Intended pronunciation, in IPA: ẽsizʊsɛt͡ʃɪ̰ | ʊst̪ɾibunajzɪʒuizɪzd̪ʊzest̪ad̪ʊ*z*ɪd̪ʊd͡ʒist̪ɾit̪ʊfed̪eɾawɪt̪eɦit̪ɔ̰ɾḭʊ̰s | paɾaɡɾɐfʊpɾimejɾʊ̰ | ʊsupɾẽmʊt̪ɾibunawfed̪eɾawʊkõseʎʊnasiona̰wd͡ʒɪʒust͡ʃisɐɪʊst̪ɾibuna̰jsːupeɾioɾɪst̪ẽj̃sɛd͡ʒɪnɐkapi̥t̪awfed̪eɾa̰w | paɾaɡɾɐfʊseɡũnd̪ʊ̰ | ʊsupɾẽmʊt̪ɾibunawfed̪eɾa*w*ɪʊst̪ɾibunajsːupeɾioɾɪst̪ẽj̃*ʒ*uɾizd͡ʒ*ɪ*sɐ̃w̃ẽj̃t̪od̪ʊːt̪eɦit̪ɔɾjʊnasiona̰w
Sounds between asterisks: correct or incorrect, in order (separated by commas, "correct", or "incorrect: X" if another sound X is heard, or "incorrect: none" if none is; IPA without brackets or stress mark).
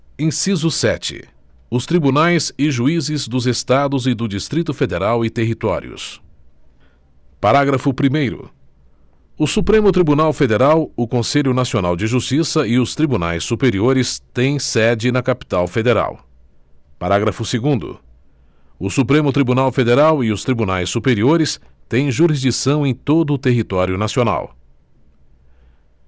correct, correct, correct, incorrect: i